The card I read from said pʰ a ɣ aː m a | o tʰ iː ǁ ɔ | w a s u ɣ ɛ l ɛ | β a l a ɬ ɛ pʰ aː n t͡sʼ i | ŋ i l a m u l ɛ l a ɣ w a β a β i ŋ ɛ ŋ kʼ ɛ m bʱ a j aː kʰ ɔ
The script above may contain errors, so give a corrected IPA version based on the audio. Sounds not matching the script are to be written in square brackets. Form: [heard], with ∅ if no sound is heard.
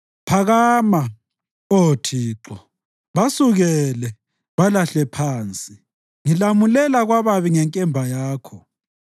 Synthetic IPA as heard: pʰ a ɣ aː m a | o tʰ iː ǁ ɔ | [β] a s u ɣ ɛ l ɛ | β a l a ɬ ɛ pʰ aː n t͡sʼ i | ŋ i l a m u l ɛ l a ɣ w a β a β i ŋ ɛ ŋ kʼ ɛ m bʱ a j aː kʰ ɔ